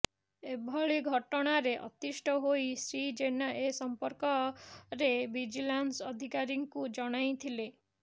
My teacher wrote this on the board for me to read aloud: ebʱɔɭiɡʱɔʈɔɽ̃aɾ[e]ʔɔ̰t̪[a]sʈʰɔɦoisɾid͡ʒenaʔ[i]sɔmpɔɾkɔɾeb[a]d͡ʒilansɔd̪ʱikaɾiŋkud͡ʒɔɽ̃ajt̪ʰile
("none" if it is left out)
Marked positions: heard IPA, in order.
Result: e, i, e, i

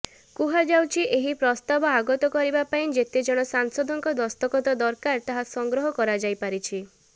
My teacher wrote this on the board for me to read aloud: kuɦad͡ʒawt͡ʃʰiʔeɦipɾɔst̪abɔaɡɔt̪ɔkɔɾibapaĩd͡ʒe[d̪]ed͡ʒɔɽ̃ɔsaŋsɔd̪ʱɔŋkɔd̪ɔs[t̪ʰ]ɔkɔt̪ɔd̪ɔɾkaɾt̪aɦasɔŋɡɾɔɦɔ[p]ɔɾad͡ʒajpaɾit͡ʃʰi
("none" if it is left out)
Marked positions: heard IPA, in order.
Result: t̪, t̪, k

